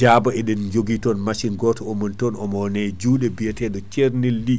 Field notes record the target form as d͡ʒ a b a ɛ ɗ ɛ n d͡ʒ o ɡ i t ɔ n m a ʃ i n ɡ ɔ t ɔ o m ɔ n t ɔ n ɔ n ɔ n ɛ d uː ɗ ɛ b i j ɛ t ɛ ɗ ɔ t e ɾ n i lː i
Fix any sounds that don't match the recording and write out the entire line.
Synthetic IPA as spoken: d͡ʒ a b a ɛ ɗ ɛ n d͡ʒ o ɡ i t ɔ n m a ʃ i n ɡ ɔ t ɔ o m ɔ n t ɔ n ɔ m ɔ n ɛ d͡ʒ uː ɗ ɛ b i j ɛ t ɛ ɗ ɔ t͡ʃ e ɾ n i lː i